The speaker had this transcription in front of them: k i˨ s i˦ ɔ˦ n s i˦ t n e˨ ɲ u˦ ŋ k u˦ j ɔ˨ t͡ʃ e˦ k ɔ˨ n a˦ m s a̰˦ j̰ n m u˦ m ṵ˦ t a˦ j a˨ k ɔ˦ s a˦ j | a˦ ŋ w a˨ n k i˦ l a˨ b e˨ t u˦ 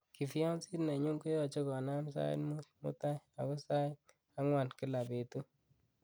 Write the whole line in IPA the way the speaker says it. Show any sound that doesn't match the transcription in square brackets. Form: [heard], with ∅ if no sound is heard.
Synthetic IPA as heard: k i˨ [f] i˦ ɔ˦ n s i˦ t n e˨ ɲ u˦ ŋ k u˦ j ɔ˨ t͡ʃ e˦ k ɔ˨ n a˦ m s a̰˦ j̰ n m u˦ m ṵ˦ t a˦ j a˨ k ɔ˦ s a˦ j | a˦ ŋ w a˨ n k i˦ l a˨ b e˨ t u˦